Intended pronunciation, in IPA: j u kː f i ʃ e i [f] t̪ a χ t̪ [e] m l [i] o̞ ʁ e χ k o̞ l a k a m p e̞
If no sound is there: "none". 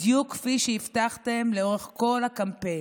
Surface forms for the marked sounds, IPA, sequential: f, e, e

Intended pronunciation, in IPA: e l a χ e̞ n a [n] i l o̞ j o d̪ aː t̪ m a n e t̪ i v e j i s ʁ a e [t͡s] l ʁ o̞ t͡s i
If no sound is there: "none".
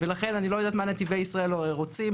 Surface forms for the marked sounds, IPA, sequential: n, none

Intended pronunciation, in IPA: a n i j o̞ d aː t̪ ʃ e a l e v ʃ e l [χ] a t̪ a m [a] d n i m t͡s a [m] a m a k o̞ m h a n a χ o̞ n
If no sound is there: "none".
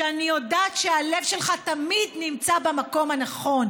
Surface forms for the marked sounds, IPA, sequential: χ, i, b

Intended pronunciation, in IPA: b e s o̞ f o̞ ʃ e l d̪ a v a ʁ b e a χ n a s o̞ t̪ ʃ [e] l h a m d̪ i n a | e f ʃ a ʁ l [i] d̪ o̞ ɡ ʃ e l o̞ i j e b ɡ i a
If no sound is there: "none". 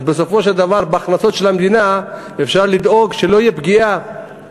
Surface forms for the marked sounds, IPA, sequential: e, i

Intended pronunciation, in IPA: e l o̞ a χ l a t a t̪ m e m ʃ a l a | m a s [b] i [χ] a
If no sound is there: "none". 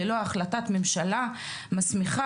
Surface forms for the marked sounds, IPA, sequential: m, χ

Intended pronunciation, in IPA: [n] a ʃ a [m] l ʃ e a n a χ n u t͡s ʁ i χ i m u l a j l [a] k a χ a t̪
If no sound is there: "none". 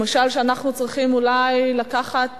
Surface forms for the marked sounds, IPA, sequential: m, none, a

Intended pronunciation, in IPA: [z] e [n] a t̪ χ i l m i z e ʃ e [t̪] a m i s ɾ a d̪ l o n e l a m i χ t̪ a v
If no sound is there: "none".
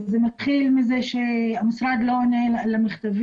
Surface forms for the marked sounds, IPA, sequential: z, m, none

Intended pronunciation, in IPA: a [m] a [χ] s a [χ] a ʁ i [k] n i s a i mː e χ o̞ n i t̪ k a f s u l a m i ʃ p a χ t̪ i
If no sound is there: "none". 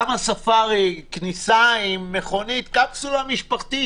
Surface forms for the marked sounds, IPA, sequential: m, none, f, k

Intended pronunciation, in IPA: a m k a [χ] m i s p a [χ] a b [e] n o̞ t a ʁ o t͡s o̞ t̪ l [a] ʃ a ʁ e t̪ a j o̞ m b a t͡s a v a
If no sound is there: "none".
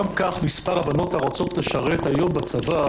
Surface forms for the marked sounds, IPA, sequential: χ, ʁ, a, e

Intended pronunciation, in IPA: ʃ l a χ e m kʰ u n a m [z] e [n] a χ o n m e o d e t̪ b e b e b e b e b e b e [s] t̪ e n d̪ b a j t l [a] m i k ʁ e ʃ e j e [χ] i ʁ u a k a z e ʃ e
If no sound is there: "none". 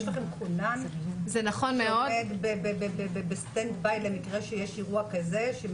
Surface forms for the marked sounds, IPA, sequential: z, n, s, e, ʃ

